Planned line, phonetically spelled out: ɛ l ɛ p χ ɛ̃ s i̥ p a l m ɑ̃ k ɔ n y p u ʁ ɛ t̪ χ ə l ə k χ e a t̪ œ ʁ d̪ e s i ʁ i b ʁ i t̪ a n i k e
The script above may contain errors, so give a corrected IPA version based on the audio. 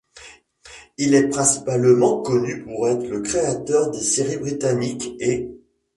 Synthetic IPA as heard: i l ɛ p χ ɛ̃ s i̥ p a l m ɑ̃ k ɔ n y p u ʁ ɛ t̪ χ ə l ə k χ e a t̪ œ ʁ d̪ e s e ʁ i b ʁ i t̪ a n i k e